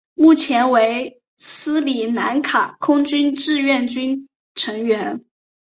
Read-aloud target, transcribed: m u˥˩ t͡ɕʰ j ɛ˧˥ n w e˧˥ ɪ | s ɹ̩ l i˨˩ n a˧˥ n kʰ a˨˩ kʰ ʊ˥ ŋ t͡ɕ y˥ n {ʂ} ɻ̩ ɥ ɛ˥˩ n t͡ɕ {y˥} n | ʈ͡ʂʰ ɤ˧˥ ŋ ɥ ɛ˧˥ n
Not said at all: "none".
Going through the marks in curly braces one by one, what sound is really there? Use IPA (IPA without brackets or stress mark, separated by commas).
ʈ͡ʂ, y˥